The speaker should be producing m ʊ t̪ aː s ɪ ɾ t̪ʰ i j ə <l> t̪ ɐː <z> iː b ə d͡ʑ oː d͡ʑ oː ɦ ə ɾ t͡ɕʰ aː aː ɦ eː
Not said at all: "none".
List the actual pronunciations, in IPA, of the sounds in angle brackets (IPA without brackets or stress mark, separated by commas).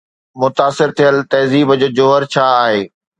l, z